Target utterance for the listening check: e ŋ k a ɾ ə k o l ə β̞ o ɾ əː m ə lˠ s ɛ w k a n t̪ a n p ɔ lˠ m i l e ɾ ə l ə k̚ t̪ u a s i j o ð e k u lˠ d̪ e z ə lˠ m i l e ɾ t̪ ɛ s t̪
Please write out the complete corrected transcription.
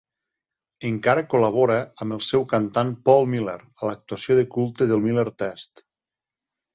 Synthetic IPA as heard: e ŋ k a ɾ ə k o l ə β̞ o ɾ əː m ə lˠ s ɛ w k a n t̪ a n p ɔ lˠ m i l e ɾ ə l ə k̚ t̪ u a s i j o ð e k u lˠ t̪ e ð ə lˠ m i l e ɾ t̪ ɛ s t̪